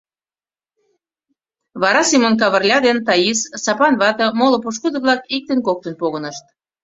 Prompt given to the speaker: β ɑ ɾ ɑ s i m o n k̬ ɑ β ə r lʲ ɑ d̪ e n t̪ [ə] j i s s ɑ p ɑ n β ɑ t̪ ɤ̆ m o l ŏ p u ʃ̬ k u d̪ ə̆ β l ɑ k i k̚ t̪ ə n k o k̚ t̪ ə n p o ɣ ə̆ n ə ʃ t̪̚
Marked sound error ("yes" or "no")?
yes